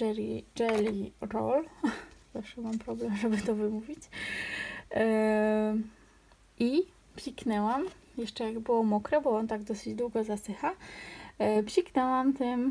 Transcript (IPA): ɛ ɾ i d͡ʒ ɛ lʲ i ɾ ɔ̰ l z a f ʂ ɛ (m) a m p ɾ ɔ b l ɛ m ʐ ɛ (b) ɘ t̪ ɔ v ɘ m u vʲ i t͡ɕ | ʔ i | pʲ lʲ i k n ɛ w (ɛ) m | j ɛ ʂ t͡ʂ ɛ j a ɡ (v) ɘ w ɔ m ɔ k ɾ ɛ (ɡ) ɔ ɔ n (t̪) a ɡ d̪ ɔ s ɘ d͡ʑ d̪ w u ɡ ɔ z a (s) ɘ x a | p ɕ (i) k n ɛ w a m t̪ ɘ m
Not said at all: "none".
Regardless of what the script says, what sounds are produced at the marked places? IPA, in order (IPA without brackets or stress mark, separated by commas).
m, b, a, b, b, t̪, s, i